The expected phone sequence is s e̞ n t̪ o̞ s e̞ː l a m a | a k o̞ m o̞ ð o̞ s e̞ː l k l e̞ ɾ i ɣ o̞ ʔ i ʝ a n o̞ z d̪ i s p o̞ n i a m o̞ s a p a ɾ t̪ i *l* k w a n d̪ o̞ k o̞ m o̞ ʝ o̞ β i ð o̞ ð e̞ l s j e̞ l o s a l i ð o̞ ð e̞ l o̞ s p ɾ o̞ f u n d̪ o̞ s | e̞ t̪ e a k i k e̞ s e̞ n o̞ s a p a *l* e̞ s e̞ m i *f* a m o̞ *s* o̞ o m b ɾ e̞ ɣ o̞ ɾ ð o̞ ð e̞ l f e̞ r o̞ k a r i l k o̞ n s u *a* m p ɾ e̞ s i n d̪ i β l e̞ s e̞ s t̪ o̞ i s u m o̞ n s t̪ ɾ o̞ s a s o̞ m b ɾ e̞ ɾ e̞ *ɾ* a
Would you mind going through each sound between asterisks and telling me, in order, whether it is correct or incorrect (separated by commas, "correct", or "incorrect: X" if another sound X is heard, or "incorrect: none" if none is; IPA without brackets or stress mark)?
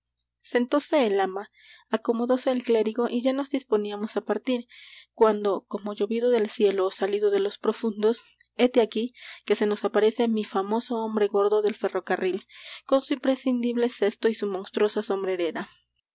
incorrect: ɾ, incorrect: ɾ, correct, correct, incorrect: i, correct